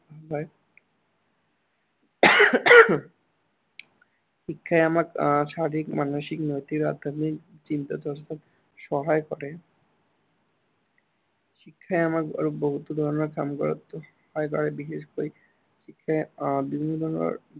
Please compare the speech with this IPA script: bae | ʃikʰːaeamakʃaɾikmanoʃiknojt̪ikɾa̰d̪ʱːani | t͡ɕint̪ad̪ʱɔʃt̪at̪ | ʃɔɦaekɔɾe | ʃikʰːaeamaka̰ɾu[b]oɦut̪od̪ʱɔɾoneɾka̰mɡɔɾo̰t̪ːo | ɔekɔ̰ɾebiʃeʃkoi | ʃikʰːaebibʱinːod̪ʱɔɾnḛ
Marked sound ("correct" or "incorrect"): correct